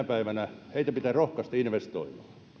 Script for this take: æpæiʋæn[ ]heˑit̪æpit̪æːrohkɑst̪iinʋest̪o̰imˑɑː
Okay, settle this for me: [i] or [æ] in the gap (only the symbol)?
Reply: æ